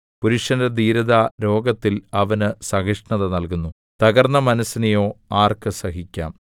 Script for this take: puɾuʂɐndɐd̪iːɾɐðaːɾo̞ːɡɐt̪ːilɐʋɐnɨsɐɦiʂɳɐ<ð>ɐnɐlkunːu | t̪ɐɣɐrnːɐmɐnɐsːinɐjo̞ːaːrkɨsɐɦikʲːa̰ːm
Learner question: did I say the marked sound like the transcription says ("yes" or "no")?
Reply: yes